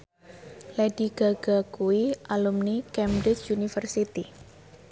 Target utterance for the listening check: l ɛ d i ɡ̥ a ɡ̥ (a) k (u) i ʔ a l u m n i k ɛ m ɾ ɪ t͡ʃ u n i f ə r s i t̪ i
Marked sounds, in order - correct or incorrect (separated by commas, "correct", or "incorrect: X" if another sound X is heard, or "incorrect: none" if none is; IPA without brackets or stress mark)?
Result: correct, correct